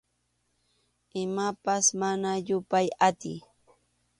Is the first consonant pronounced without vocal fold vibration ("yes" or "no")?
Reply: no